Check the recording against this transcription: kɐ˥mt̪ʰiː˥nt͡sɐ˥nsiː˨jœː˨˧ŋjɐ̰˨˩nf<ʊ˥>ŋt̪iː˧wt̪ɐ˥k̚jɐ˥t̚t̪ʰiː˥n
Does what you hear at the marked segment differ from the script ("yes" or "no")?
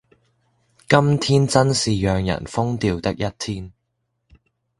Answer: no